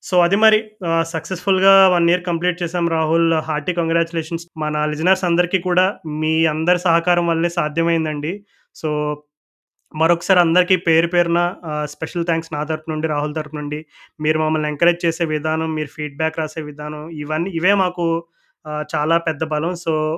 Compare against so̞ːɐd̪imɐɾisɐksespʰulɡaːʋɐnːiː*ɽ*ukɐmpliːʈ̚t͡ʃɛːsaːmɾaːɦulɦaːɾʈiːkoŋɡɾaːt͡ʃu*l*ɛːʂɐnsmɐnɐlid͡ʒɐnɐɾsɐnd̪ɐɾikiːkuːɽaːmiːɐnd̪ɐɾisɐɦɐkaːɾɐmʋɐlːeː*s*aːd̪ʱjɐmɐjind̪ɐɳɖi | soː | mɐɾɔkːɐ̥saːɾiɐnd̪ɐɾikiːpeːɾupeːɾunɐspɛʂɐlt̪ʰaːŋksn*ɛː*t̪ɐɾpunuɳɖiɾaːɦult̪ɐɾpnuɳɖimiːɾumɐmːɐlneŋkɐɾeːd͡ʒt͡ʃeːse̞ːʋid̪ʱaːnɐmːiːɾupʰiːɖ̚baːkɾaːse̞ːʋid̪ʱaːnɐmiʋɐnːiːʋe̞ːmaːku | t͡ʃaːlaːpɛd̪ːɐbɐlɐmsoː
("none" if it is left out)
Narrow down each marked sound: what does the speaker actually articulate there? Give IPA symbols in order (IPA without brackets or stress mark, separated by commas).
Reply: ɾ, l, s, aː